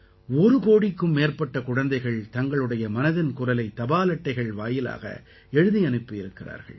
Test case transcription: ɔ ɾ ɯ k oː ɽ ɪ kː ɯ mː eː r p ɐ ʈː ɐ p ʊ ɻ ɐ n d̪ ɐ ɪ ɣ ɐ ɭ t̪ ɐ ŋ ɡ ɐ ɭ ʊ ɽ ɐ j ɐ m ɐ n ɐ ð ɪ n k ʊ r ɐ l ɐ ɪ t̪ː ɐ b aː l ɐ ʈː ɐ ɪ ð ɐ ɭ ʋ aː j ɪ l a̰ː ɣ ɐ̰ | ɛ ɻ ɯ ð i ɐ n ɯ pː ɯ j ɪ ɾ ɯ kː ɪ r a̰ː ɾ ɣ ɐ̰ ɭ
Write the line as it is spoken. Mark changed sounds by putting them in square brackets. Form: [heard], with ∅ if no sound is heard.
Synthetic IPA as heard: ɔ ɾ ɯ k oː ɽ ɪ kː ɯ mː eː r p ɐ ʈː ɐ [k] ʊ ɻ ɐ n d̪ ɐ ɪ ɣ ɐ ɭ t̪ ɐ ŋ ɡ ɐ ɭ [ɯ] ɽ ɐ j ɐ m ɐ n ɐ ð ɪ n k ʊ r ɐ l ɐ ɪ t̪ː ɐ b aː l ɐ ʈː ɐ ɪ [ɣ] ɐ ɭ ʋ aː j ɪ l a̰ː ɣ ɐ̰ | ɛ ɻ ɯ ð i ɐ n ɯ pː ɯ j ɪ ɾ ɯ kː ɪ r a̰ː ɾ ɣ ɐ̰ ɭ